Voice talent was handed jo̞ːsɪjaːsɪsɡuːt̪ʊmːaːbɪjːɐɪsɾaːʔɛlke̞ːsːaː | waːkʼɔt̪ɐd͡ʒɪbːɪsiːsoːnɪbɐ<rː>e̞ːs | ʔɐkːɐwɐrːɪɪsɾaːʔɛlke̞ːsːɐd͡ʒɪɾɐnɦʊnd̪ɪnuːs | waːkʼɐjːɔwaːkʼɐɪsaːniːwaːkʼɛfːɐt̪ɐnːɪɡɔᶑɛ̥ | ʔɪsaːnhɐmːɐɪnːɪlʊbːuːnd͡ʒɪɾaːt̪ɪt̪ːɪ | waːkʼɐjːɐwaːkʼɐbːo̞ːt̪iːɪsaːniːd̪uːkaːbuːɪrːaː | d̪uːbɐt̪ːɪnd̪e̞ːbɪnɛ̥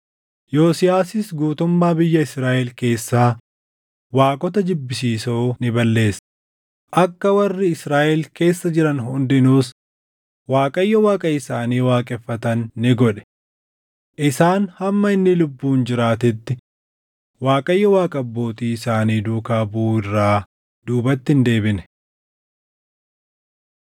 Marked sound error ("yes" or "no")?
yes